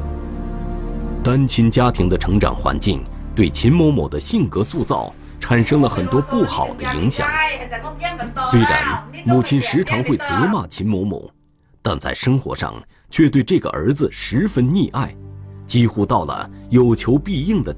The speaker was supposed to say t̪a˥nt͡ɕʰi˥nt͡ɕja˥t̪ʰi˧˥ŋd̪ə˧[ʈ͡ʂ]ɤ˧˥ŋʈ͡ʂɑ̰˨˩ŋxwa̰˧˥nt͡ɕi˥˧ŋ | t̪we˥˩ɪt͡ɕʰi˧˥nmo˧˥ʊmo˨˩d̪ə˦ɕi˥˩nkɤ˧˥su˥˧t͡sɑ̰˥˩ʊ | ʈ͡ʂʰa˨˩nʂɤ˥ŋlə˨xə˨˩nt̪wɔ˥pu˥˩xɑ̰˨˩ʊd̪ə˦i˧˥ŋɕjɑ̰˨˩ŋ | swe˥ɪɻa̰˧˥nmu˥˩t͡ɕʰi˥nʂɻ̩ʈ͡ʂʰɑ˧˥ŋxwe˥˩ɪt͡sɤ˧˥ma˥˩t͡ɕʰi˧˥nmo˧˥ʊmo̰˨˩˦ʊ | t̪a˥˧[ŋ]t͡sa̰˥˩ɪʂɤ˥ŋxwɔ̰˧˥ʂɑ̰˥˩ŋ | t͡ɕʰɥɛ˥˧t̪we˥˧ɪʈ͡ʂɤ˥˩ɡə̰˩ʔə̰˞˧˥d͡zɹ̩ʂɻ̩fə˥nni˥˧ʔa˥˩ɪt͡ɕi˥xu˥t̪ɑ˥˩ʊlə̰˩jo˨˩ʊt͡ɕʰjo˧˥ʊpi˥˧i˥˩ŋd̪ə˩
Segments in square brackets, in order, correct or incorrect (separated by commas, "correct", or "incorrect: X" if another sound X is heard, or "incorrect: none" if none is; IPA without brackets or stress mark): incorrect: ʈ͡ʂʰ, incorrect: n